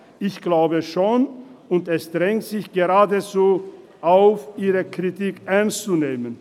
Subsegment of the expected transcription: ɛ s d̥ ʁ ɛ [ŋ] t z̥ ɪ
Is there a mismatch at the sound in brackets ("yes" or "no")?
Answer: no